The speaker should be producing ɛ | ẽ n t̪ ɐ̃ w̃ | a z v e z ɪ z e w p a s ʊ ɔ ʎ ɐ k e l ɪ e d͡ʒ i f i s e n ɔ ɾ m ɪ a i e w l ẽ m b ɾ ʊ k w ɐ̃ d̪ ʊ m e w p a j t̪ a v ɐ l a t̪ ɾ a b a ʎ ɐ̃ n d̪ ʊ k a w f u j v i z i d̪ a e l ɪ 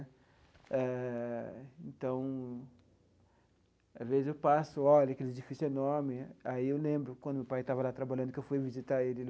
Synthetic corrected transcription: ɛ | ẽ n t̪ ɐ̃ w̃ | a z v e z ɪ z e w p a s ʊ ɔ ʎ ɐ k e l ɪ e d͡ʒ i f i s e n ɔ ɾ m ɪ a i e w l ẽ m b ɾ ʊ k w ɐ̃ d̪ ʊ m e w p a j t̪ a v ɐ l a t̪ ɾ a b a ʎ ɐ̃ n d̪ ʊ k e w f u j v i z i t̪ a e l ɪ

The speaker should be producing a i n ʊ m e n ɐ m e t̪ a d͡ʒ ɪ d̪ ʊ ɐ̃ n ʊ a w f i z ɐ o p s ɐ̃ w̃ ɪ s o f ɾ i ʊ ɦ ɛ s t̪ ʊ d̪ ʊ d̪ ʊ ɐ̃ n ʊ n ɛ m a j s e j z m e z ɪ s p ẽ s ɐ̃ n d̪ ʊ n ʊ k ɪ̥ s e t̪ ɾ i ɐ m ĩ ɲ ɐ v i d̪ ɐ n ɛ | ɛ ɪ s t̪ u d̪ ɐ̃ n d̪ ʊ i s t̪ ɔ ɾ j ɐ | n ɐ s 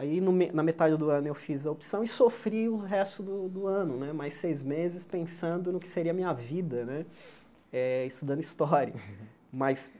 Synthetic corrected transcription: a i n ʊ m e n ɐ m e t̪ a d͡ʒ ɪ d̪ ʊ ɐ̃ n ʊ e w f i z ɐ o p s ɐ̃ w̃ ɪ s o f ɾ i ʊ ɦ ɛ s t̪ ʊ d̪ ʊ d̪ ʊ ɐ̃ n ʊ n ɛ m a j s e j z m e z ɪ s p ẽ s ɐ̃ n d̪ ʊ n ʊ k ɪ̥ s e ɾ i ɐ m ĩ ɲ ɐ v i d̪ ɐ n ɛ | ɛ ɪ s t̪ u d̪ ɐ̃ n d̪ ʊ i s t̪ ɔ ɾ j ɐ | m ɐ s

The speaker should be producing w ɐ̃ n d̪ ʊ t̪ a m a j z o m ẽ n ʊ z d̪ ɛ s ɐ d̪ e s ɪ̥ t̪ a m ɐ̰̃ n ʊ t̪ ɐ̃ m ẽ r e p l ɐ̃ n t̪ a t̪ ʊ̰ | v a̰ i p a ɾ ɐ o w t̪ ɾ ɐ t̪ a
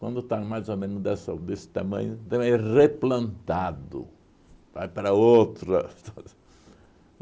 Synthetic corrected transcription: w ɐ̃ n d̪ ʊ t̪ a m a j z o m ẽ n ʊ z d̪ ɛ s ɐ d̪ e s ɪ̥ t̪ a m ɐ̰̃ ɲ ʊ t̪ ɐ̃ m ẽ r e p l ɐ̃ n t̪ a d̪ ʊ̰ | v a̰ j p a ɾ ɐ o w t̪ ɾ ɐ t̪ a

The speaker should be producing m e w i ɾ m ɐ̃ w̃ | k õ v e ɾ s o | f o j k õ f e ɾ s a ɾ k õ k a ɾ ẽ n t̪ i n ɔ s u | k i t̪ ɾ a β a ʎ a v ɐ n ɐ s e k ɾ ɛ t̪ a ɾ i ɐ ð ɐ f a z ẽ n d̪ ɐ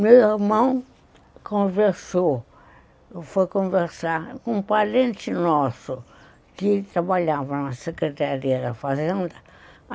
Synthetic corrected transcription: m e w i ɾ m ɐ̃ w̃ | k õ v e ɾ s o | f o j k õ v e ɾ s a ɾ k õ p a ɾ ẽ n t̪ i n ɔ s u | k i t̪ ɾ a β a ʎ a v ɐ n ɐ s e k ɾ e t̪ a ɾ i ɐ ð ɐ f a z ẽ n d̪ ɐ

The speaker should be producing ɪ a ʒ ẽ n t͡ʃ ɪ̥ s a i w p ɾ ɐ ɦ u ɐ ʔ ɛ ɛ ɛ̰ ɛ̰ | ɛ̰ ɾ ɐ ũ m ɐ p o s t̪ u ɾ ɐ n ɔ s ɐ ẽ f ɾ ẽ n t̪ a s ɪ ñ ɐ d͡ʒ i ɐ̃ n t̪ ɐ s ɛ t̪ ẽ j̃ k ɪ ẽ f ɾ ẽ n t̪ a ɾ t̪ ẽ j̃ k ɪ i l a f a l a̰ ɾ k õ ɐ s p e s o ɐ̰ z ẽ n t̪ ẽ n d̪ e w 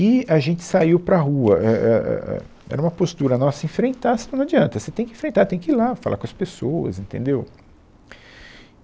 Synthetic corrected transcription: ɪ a ʒ ẽ n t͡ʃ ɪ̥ s a i w p ɾ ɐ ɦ u ɐ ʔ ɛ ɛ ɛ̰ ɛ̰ | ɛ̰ ɾ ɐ ũ m ɐ p o s t̪ u ɾ ɐ n ɔ s ɐ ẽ f ɾ ẽ n t̪ a s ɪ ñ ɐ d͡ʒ i ɐ̃ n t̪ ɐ s e t̪ ẽ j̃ k ɪ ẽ f ɾ ẽ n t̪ a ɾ t̪ ẽ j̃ k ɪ i l a f a l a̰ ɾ k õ ɐ s p e s o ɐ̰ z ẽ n t̪ ẽ n d̪ e w

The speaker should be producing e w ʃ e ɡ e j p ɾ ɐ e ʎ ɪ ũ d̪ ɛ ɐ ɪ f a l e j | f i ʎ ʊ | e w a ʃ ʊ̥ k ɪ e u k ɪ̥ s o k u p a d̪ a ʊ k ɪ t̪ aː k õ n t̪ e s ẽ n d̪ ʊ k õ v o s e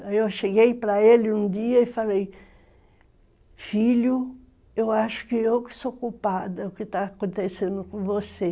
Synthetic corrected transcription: e w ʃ e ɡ e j p ɾ ɐ e l ɪ ũ d̪ i ɐ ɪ f a l e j | f i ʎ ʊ | e w a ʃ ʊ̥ k ɪ e w k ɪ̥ s o k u p a d̪ ɐ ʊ k ɪ t̪ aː k õ n t̪ e s ẽ n d̪ ʊ k õ v o s e

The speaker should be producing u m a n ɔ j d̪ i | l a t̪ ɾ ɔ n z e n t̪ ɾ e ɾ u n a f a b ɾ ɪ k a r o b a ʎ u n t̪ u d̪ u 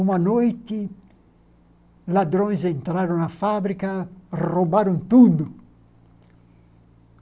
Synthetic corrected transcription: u m a n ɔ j t̪ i | l a d̪ ɾ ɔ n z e n t̪ ɾ a ɾ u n a f a b ɾ i k a r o b a ɾ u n t̪ u d̪ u

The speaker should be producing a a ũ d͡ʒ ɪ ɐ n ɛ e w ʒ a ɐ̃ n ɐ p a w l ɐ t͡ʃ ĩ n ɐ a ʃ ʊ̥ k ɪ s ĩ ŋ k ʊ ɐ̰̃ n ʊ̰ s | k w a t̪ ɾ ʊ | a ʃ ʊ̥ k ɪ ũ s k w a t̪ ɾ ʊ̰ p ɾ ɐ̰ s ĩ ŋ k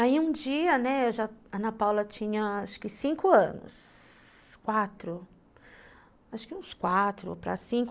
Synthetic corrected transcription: a i ũ d͡ʒ i ɐ n ɛ e w ʒ a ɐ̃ n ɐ p a w l ɐ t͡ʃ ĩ ɲ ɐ a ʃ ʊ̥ k ɪ s ĩ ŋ k ʊ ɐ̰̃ n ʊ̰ s | k w a t̪ ɾ ʊ | a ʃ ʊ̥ k ɪ ũ s k w a t̪ ɾ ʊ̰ p ɾ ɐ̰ s ĩ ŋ k

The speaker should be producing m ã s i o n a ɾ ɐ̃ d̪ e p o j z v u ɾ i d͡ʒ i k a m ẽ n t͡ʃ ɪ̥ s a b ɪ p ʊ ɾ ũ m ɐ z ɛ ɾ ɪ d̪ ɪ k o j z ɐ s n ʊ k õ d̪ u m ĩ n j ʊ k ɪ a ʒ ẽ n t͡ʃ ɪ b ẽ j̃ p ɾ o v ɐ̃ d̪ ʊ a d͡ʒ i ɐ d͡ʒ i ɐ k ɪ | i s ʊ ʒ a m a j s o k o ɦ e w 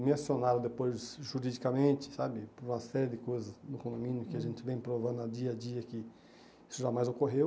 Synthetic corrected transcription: m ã s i o n a ɾ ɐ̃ d̪ e p o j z ʒ u ɾ i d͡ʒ i k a m ẽ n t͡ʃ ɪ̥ s a b ɪ p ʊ ɾ ũ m ɐ s ɛ ɾ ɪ d̪ ɪ k o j z ɐ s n ʊ k õ d̪ o m ĩ n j ʊ k ɪ a ʒ ẽ n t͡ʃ ɪ v ẽ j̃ p ɾ o v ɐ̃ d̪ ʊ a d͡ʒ i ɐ d͡ʒ i ɐ k ɪ | i s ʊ ʒ a m a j z o k o ɦ e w

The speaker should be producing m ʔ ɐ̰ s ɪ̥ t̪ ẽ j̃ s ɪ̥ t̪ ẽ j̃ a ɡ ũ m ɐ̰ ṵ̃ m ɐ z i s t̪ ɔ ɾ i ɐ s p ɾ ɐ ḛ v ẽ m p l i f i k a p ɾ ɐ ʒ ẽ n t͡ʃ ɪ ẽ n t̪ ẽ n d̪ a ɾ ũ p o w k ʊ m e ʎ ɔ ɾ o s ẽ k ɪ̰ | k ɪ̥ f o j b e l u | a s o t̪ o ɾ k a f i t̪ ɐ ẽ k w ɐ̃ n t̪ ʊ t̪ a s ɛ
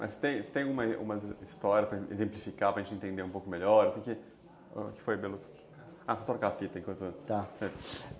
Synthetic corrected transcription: m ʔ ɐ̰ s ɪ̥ t̪ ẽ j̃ s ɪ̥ t̪ ẽ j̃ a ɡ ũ m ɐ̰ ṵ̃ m ɐ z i s t̪ ɔ ɾ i ɐ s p ɾ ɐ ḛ z ẽ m p l i f i k a p ɾ ɐ ʒ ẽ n t͡ʃ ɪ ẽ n t̪ ẽ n d̪ e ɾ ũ p o w k ʊ m e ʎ ɔ ɾ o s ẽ k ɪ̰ | k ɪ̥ f o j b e l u | a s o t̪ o ɾ k a f i t̪ ɐ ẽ k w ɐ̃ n t̪ ʊ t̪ a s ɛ

